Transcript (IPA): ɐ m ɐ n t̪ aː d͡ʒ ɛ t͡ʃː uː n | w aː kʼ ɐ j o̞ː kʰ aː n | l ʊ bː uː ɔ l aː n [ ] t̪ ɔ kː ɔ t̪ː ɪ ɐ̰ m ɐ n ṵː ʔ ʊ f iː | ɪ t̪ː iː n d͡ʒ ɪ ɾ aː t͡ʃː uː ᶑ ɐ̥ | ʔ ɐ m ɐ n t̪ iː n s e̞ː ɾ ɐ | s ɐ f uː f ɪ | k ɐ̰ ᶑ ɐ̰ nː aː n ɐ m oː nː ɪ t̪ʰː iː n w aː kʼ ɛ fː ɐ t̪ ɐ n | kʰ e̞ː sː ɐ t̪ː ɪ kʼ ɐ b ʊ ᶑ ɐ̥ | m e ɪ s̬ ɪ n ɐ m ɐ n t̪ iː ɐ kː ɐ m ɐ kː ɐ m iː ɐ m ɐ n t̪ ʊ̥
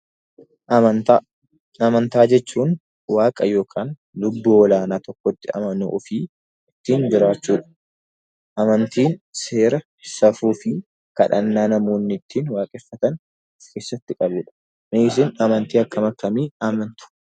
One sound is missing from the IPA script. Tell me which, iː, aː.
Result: aː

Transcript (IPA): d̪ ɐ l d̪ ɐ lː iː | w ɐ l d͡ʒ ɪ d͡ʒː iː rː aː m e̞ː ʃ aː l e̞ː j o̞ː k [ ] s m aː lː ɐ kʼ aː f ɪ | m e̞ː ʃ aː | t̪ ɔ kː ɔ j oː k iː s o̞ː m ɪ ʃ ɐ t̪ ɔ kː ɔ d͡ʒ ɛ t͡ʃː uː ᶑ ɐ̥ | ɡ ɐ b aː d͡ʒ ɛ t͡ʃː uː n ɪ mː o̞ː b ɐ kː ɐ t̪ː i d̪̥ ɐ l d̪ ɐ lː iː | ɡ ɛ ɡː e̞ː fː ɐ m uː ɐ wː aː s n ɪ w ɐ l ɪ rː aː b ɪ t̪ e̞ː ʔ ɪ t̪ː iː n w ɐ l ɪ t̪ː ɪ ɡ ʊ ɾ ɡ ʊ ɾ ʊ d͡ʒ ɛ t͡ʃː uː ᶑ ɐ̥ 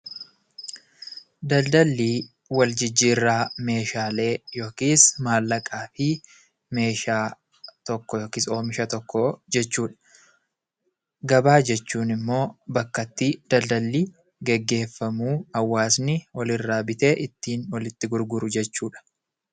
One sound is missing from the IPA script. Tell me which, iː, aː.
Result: iː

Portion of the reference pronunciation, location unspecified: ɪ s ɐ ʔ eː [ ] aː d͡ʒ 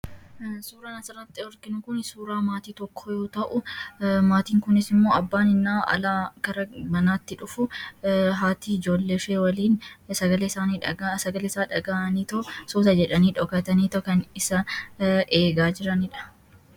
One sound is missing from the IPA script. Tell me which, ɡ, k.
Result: ɡ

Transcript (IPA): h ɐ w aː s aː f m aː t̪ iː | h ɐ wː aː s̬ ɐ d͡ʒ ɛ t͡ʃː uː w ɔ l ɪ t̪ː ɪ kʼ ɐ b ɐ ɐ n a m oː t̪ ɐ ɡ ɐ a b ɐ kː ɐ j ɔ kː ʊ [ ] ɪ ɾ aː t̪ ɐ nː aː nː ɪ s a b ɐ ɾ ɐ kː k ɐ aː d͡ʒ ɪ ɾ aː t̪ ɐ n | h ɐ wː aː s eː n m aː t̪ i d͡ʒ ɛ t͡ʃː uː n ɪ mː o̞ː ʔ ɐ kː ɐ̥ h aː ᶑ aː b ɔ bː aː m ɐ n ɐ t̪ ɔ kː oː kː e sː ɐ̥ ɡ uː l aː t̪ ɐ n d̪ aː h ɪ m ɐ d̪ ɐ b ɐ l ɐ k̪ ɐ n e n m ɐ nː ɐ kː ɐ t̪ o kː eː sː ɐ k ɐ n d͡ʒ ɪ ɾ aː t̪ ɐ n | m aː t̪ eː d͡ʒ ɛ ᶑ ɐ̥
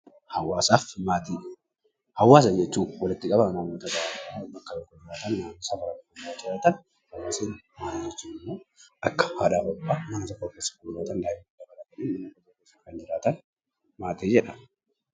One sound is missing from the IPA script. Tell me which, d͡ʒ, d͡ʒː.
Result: d͡ʒ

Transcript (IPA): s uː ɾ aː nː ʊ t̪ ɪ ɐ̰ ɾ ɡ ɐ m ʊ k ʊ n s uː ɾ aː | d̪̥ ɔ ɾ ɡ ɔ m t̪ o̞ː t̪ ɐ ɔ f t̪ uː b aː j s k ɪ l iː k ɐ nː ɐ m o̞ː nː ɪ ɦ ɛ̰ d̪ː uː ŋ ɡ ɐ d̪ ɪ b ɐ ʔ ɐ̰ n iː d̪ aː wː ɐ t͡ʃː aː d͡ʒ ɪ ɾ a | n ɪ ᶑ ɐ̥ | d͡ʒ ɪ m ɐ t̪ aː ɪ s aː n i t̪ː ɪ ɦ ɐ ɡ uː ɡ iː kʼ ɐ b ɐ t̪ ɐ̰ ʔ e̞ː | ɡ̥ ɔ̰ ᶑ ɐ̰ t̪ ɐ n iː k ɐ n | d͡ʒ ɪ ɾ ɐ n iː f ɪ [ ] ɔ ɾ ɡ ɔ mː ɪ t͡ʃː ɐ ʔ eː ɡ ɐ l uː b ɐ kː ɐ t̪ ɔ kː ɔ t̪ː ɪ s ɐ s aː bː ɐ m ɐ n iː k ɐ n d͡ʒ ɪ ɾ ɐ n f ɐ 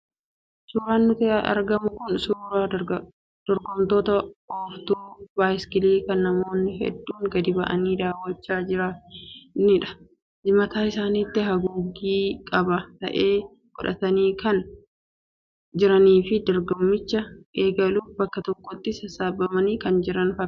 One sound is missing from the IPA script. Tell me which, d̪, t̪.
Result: d̪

